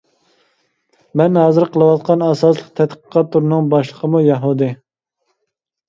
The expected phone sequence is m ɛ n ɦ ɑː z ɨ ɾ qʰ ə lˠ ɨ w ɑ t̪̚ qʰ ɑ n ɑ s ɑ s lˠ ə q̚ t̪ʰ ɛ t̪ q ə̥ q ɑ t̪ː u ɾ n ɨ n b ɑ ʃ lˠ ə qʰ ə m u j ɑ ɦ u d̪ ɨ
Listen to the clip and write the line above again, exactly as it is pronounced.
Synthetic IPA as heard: m ɛ n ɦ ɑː z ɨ ɾ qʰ ə lˠ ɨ w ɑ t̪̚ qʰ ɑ n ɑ s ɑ s lˠ ə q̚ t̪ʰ ɛ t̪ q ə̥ q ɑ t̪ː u ɾ n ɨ ŋ b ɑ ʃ lˠ ə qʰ ə m u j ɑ ɦ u d̪ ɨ